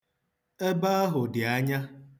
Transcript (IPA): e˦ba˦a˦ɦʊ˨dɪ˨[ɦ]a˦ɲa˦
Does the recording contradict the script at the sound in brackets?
yes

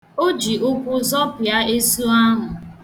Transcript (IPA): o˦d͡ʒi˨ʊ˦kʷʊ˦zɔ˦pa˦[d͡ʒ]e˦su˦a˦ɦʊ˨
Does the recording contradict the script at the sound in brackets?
yes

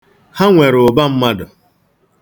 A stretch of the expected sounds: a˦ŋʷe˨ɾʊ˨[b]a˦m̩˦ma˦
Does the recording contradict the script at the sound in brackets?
no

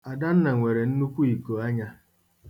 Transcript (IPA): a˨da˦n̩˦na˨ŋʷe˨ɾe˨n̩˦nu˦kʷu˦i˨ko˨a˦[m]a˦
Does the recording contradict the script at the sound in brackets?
yes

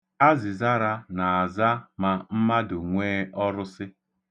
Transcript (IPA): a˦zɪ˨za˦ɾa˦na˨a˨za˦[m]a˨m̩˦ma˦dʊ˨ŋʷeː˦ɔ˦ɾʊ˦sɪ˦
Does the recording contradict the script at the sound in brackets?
no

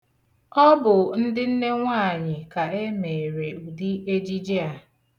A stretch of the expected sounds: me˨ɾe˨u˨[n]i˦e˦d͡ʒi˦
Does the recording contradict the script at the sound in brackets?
yes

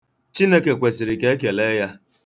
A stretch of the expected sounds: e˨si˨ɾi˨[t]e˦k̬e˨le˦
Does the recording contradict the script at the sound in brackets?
yes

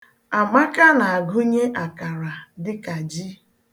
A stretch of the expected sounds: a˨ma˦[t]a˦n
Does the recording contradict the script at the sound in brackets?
yes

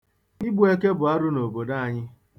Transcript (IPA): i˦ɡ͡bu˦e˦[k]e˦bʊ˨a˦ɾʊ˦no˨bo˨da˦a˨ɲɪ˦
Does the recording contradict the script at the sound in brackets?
no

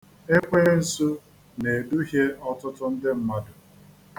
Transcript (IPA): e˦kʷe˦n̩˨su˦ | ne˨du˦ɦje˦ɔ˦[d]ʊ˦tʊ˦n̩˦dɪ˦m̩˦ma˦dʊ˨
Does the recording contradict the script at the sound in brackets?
yes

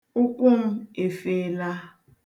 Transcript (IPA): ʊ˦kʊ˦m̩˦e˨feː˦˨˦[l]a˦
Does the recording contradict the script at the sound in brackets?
no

